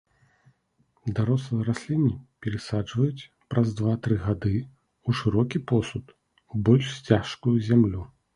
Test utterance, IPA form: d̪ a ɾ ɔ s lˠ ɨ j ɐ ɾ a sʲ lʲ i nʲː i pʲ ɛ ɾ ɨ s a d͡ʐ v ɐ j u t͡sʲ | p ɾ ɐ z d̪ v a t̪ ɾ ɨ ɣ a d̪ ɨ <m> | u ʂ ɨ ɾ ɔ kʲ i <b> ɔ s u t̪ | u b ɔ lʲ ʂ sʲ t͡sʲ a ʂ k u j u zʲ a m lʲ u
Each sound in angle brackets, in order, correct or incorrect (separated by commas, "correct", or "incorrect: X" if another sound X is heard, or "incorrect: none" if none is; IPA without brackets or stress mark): incorrect: none, incorrect: p